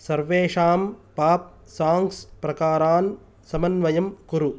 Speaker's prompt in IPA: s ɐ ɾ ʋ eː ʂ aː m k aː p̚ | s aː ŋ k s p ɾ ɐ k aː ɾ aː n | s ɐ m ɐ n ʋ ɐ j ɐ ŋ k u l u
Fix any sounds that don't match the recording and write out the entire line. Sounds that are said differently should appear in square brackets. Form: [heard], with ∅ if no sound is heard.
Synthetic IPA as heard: s ɐ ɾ ʋ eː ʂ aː m [p] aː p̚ | s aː ŋ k s p ɾ ɐ k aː ɾ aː n | s ɐ m ɐ n ʋ ɐ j ɐ [m] k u [ɾ] u